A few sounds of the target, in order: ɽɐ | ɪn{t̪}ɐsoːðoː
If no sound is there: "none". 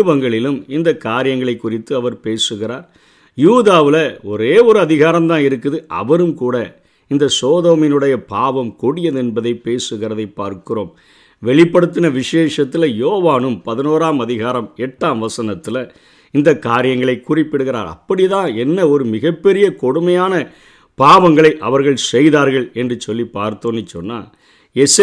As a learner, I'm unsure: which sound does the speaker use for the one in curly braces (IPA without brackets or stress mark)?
d̪